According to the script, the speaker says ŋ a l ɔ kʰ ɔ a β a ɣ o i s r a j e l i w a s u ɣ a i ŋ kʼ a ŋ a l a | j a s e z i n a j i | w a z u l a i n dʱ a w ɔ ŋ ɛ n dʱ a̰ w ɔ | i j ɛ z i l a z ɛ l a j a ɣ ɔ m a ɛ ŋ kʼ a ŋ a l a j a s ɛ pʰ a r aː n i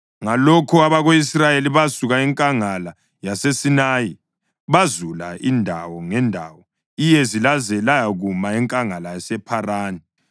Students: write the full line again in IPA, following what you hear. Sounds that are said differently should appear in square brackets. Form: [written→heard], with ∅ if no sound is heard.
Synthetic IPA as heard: ŋ a l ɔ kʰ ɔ a β a ɣ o i s r a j e l i [w→β] a s u ɣ a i ŋ kʼ a ŋ a l a | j a s e [z→s] i n a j i | [w→β] a z u l a i n dʱ a w ɔ ŋ ɛ n dʱ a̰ w ɔ | i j ɛ z i l a z ɛ l a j a ɣ [ɔ→u] m a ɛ ŋ kʼ a ŋ a l a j a s ɛ pʰ a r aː n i

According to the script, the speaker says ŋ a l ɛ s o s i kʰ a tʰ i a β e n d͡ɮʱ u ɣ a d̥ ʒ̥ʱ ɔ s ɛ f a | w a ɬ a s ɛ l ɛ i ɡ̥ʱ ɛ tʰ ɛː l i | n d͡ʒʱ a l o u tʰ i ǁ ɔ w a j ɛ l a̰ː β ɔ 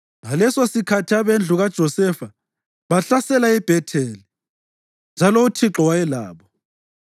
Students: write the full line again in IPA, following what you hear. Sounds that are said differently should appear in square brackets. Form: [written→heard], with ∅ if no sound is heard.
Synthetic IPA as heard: ŋ a l ɛ s o s i kʰ a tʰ i a β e n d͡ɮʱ u ɣ a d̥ ʒ̥ʱ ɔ s ɛ f a | [w→β] a ɬ a s ɛ l [ɛ→a] i [ɡ̥ʱ→b̥ʱ] ɛ tʰ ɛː l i | n d͡ʒʱ a l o u tʰ i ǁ ɔ w a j ɛ l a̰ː β ɔ

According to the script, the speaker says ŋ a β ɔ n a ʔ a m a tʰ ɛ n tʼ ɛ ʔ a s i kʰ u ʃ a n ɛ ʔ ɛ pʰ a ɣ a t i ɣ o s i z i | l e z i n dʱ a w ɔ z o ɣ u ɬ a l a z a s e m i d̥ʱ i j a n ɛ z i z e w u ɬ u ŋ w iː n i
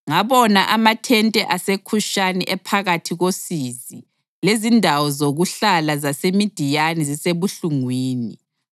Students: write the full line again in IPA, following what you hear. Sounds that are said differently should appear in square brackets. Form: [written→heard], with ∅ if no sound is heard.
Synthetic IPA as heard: ŋ a β ɔ n a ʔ a m a tʰ ɛ n tʼ ɛ ʔ a s [i→e] kʰ u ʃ a n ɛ ʔ ɛ pʰ a ɣ a [t→tʰ] i ɣ o s i z i | l e z i n dʱ a w ɔ z o ɣ u ɬ a l a z a s e m i d̥ʱ i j a n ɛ z i [z→s] e [w→β] u ɬ u ŋ w iː n i

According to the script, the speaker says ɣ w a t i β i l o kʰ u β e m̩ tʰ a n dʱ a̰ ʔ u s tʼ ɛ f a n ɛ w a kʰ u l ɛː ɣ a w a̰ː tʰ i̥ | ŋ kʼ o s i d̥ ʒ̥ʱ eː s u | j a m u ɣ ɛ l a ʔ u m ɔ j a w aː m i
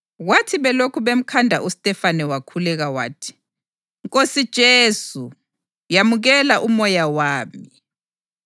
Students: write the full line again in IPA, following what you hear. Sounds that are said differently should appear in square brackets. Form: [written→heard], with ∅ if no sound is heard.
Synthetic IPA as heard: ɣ w a [t→tʰ] i β [i→ɛ] l o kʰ u β e m̩ [tʰ→kʰ] a n dʱ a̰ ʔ u s tʼ ɛ f a n ɛ w a kʰ u l [ɛː→ɛ] ɣ a w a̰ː tʰ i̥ | ŋ kʼ o s i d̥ ʒ̥ʱ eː s u | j a m u ɣ ɛ l a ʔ u m ɔ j a w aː m i

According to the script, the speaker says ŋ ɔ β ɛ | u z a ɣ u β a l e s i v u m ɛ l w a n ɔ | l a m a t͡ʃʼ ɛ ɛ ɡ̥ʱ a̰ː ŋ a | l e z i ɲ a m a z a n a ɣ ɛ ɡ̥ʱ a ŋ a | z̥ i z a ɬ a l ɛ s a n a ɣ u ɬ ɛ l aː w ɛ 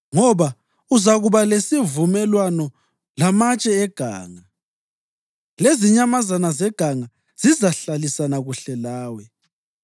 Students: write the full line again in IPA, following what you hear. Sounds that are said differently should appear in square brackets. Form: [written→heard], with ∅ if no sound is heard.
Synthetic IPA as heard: ŋ ɔ β [ɛ→a] | u z a ɣ u β a l e s i v u m ɛ l w a n ɔ | l a m a t͡ʃʼ ɛ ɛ ɡ̥ʱ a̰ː ŋ a | l e z i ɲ a m a z a n a [ɣ→z] ɛ ɡ̥ʱ a ŋ a | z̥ i z a ɬ a l [ɛ→i] s a n a ɣ u ɬ ɛ l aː w ɛ

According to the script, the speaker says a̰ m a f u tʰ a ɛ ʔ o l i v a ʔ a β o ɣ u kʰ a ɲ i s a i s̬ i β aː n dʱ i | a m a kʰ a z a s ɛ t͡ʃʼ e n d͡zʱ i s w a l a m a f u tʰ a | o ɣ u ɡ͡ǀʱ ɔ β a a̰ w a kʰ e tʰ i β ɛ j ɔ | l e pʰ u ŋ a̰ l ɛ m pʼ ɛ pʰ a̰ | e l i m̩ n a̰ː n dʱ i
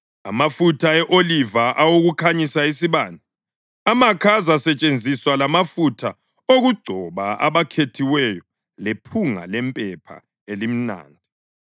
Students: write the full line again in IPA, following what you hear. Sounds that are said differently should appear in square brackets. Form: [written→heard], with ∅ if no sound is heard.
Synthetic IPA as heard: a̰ m a f u tʰ a ɛ ʔ o l i v a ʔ a [β→w] o ɣ u kʰ a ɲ i s a i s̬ i β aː n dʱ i | a m a kʰ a z a s ɛ t͡ʃʼ e n d͡zʱ i s w a l a m a f u tʰ a | o ɣ u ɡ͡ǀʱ ɔ β a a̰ [w→β] a kʰ e tʰ i [β→w] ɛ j ɔ | l e pʰ u ŋ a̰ l ɛ m pʼ ɛ pʰ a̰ | e l i m̩ n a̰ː n dʱ i

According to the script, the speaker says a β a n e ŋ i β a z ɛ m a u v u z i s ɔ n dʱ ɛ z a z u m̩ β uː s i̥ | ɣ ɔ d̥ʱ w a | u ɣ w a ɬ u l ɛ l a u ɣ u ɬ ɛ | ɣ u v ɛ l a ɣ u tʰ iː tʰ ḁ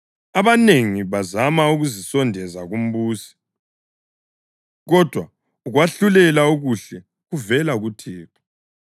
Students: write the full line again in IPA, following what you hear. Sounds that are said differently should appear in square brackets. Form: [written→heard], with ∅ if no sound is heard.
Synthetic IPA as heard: a β a n e ŋ i β a z [ɛ→a] m a u [v→ɣ] u z i s ɔ n dʱ ɛ z a [z→ɣ] u m̩ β uː s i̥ | ɣ ɔ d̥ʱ w a | u ɣ w a ɬ u l ɛ l a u ɣ u ɬ ɛ | ɣ u v ɛ l a ɣ u tʰ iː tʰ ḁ

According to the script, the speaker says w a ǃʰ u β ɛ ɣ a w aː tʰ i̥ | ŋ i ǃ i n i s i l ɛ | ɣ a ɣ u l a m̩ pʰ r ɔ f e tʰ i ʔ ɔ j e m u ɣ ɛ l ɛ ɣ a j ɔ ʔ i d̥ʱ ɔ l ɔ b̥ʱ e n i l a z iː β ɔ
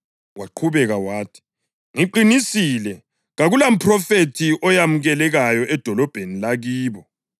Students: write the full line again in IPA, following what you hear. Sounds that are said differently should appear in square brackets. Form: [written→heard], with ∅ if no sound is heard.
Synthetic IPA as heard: w a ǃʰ u β ɛ ɣ a w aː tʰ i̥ | ŋ i ǃ i n i s i l ɛ | ɣ a ɣ u l a m̩ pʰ r ɔ f e tʰ i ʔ ɔ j [e→a] m u ɣ ɛ l ɛ ɣ a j ɔ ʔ [i→ɛ] d̥ʱ ɔ l ɔ b̥ʱ e n i l a [z→ɣ] iː β ɔ

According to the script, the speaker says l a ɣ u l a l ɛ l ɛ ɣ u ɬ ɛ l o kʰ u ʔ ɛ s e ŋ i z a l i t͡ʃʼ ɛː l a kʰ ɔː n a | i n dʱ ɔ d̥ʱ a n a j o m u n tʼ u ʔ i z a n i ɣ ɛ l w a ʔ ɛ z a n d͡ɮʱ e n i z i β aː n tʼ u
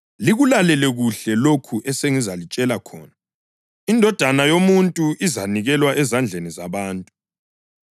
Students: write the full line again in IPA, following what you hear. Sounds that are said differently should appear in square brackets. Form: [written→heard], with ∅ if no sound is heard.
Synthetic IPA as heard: l [a→i] ɣ u l a l ɛ l ɛ ɣ u ɬ ɛ l o kʰ u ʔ ɛ s e ŋ i z a l i t͡ʃʼ [ɛː→ɛ] l a kʰ ɔː n a | i n dʱ ɔ d̥ʱ a n a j o m u n tʼ u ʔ i z a n i ɣ ɛ l w a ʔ ɛ z a n d͡ɮʱ e n i z [i→a] β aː n tʼ u

